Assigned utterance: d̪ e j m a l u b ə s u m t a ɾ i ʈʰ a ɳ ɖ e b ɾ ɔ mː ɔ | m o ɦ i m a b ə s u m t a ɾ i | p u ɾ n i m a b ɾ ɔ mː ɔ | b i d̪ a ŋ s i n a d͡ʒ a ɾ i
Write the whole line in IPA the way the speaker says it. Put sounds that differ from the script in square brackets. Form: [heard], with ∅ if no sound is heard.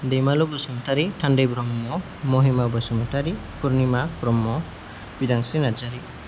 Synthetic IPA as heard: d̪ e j m a l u b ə s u m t a ɾ i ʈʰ a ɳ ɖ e b ɾ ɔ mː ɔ | m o ɦ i m a b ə s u m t a ɾ i | p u ɾ n i m a b ɾ ɔ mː ɔ | b i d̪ a ŋ s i n a d͡ʒ a ɾ i